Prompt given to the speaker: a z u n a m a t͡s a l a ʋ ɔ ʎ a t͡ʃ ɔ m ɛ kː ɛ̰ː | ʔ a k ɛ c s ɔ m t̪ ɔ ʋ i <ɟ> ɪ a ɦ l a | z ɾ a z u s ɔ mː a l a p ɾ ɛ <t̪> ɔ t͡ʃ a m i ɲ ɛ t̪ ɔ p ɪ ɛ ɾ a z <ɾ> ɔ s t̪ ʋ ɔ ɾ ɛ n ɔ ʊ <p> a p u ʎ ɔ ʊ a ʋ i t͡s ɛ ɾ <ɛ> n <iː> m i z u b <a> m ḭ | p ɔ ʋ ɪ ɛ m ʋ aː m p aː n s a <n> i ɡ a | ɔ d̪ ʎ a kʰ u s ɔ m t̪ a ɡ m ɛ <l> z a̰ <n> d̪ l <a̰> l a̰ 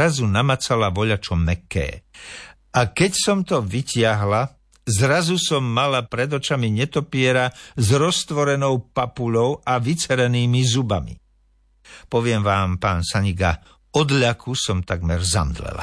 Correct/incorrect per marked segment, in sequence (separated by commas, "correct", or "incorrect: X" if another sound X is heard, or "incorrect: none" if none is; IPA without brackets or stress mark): incorrect: c, incorrect: d̪, correct, correct, correct, correct, correct, incorrect: ɲ, incorrect: ɾ, incorrect: m, incorrect: ɛ̰